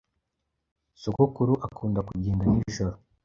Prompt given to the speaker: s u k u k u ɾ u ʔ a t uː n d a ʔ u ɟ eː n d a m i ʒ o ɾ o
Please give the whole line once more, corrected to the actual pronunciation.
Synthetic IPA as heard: s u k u k u ɾ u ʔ a k uː n d a k u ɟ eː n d a n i ʒ o ɾ o